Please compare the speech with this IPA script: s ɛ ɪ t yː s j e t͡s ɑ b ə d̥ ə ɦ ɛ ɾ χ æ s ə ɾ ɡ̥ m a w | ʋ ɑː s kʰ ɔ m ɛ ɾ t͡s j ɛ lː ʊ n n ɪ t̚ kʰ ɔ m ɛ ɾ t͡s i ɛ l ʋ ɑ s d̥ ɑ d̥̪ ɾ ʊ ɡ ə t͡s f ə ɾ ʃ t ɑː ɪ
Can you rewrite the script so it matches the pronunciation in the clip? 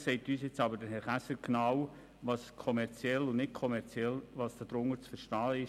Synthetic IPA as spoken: s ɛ ɪ t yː s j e t͡s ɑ b ə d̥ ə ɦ ɛ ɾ χ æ s ə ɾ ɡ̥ n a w | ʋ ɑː s kʰ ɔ m ɛ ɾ t͡s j ɛ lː ʊ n n ɪ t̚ kʰ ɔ m ɛ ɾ t͡s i ɛ l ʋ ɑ s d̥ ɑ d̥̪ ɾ ʊ ŋ ə t͡s f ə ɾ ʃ t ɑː ɪ